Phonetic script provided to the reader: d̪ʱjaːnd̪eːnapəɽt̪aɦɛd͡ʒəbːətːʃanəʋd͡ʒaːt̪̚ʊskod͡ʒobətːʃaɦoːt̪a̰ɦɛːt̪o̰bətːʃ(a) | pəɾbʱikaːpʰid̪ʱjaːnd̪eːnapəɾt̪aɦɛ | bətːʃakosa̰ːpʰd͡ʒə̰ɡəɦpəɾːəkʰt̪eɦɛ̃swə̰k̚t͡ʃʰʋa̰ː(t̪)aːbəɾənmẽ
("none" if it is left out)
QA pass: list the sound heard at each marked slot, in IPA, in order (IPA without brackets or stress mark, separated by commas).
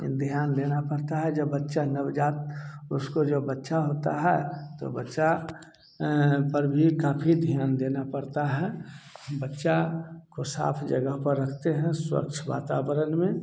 a, t̪